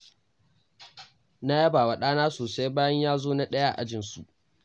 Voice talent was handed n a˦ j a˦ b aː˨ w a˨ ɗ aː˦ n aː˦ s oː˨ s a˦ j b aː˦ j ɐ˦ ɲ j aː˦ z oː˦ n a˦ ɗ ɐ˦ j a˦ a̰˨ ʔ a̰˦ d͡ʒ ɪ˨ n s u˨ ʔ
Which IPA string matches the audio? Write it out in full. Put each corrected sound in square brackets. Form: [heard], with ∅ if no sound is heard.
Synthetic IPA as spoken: n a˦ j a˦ b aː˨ w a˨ ɗ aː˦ n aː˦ s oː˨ s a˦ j b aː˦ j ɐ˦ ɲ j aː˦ z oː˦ n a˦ ɗ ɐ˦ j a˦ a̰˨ ʔ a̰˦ d͡ʒ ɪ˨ n s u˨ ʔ

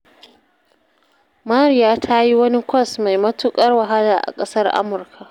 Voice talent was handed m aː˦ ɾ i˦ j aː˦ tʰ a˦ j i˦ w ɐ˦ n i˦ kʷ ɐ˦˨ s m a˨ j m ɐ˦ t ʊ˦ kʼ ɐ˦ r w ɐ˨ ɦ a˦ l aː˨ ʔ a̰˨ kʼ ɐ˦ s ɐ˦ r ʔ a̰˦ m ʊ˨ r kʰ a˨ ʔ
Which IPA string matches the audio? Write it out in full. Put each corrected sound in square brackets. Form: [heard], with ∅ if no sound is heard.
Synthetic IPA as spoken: m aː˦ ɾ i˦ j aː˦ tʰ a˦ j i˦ w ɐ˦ n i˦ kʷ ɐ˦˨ s m a˨ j m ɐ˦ t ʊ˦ kʼ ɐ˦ r w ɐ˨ ɦ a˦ l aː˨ ʔ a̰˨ kʼ ɐ˦ s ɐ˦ r ʔ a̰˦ m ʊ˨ r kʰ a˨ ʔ

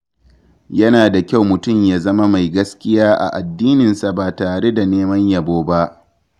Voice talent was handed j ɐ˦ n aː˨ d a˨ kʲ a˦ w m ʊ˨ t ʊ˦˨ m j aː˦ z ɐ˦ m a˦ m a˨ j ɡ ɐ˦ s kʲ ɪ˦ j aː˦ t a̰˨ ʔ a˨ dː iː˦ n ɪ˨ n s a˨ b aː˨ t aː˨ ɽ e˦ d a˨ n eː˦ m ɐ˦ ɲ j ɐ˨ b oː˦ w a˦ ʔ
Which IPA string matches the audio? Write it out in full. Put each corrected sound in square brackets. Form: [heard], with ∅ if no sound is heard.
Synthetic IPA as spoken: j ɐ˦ n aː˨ d a˨ kʲ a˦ w m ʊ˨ t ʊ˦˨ m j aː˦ z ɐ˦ m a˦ m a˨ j ɡ ɐ˦ s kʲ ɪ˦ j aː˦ [ʔ] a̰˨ ʔ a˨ dː iː˦ n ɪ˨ n s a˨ b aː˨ t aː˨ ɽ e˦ d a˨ n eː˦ m ɐ˦ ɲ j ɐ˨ b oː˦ [b] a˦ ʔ

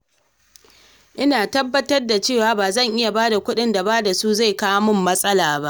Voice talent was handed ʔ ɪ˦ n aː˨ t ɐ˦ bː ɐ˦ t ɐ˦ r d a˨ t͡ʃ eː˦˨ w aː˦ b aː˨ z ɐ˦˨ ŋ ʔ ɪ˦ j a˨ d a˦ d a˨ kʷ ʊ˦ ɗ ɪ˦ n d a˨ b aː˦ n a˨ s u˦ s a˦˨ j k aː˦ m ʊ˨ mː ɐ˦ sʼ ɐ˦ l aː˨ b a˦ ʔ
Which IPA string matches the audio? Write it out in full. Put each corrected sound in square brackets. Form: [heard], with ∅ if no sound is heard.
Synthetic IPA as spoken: ʔ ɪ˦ n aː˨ t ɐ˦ bː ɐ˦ t ɐ˦ r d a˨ t͡ʃ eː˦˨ w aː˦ b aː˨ z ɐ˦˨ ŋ ʔ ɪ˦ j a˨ [b] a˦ d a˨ kʷ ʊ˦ ɗ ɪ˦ n d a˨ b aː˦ [d] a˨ s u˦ [z] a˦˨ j k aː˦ m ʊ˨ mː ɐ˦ sʼ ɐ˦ l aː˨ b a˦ ʔ

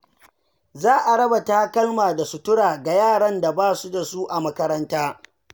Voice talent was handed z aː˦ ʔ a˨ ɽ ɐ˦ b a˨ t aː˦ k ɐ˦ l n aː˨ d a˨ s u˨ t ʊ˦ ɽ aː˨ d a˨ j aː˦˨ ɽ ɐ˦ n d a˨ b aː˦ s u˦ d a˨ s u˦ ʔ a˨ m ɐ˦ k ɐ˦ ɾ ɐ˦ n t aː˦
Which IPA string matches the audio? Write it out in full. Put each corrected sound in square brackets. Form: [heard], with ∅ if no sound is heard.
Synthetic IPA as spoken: z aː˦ ʔ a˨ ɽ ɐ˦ b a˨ t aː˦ k ɐ˦ l [m] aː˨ d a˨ s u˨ t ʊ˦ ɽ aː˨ [ɡ] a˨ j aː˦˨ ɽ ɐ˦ n d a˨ b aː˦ s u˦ d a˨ s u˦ ʔ a˨ m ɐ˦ k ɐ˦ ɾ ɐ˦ n t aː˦

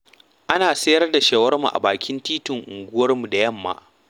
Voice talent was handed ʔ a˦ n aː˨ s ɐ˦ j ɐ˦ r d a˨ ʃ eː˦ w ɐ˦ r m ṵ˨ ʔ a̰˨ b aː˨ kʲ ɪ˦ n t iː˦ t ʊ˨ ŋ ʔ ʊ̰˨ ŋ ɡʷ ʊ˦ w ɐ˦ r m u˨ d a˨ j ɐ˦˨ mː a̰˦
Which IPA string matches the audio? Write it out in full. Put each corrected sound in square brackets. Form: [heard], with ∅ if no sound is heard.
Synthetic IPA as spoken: ʔ a˦ n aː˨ s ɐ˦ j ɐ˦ r d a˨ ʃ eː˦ w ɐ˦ r m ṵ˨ ʔ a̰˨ b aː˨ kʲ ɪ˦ n t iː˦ t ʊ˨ ŋ ʔ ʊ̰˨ ŋ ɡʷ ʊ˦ w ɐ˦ r m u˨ d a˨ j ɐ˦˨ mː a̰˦

